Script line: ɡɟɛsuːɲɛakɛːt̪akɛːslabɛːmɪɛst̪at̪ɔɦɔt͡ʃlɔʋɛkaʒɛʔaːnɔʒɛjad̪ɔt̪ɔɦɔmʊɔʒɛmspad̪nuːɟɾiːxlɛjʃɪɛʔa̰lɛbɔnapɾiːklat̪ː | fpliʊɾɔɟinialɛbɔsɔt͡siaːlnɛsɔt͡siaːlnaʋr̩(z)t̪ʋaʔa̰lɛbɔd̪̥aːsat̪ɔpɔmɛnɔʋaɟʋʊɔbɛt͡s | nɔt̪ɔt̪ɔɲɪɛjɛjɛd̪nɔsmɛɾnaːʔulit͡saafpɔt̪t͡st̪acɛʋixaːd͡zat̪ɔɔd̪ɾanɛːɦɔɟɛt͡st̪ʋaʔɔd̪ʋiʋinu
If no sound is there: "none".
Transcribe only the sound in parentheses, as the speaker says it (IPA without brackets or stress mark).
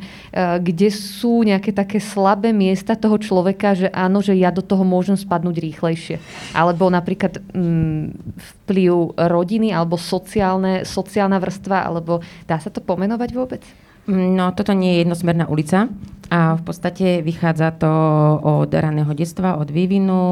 s